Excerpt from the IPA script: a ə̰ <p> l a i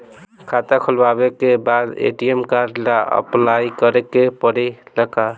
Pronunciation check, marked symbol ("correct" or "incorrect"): correct